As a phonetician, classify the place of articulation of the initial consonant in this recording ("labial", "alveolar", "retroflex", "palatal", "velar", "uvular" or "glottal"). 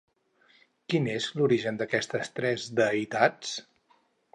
velar